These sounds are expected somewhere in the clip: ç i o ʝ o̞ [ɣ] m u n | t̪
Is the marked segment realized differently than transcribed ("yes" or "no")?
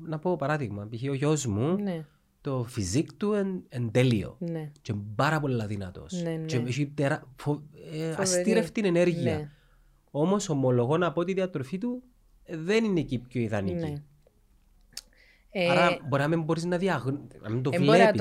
yes